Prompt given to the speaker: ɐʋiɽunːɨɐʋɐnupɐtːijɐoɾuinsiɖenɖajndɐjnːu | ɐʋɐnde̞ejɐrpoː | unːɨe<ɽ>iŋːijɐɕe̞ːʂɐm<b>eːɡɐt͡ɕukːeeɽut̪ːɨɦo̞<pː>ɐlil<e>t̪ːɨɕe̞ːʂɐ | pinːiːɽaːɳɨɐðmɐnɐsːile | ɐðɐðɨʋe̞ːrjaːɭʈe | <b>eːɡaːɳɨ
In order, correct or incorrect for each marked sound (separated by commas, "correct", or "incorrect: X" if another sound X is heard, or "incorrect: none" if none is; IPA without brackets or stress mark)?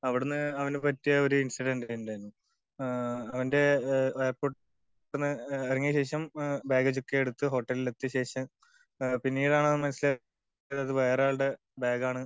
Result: incorrect: r, correct, incorrect: ʈː, correct, correct